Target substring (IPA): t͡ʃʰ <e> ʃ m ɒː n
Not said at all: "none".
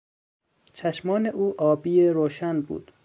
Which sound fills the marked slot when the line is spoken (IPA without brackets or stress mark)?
æ